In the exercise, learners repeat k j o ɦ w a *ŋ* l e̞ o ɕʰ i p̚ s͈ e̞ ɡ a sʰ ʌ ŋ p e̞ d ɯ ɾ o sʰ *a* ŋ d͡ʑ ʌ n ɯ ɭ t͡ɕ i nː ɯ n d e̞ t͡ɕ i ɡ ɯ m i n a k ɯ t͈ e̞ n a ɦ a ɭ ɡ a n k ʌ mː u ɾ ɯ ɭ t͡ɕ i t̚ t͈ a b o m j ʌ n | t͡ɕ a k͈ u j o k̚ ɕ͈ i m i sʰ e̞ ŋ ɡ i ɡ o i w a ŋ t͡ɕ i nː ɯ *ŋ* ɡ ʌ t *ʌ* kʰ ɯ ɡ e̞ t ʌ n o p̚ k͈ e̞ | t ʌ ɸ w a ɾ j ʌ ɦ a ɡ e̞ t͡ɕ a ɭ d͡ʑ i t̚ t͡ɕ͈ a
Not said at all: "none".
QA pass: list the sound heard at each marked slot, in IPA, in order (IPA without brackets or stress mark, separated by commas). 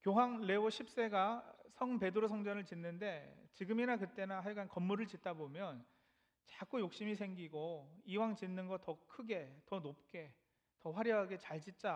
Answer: ŋ, ʌ, n, ʌ